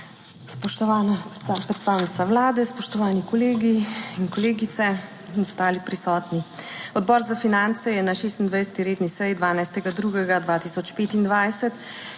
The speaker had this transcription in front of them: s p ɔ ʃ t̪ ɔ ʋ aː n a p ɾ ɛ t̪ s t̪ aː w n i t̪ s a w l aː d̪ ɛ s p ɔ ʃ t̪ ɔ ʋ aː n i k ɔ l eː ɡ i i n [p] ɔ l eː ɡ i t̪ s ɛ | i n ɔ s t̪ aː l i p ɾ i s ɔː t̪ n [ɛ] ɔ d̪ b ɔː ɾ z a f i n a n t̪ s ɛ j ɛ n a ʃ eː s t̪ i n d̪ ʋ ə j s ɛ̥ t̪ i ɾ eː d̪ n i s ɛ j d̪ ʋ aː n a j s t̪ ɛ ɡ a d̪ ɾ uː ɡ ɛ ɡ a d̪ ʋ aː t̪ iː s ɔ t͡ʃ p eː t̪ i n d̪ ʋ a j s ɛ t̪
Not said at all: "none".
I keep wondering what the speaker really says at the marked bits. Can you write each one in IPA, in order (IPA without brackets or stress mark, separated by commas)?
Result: k, i